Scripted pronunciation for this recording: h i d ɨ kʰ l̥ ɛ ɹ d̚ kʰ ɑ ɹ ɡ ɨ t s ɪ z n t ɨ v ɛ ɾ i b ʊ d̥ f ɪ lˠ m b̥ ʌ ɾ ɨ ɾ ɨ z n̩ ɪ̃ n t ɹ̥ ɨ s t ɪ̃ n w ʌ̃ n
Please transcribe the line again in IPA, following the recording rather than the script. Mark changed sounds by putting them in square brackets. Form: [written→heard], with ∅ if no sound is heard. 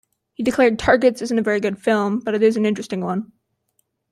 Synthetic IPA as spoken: h i d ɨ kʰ l̥ ɛ ɹ d̚ [kʰ→tʰ] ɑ ɹ ɡ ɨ t s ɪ z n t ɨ v ɛ [ɾ→ɹ] i [b→ɡ] ʊ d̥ f ɪ lˠ m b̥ ʌ ɾ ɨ ɾ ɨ z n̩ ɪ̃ n [t→t͡ʃ] ɹ̥ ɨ s t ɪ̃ [n→ŋ] w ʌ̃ n